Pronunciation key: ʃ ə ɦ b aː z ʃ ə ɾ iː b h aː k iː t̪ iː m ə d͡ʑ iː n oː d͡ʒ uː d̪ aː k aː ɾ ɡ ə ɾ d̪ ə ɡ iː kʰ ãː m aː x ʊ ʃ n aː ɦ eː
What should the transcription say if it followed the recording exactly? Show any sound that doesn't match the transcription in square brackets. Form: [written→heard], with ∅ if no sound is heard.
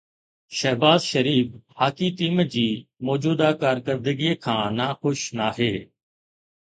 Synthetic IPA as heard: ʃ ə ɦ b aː z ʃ ə ɾ iː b h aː k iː t̪ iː m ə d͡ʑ iː [n→m] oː d͡ʒ uː d̪ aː k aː ɾ [ɡ→k] ə ɾ d̪ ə ɡ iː kʰ ãː [m→n] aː x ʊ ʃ n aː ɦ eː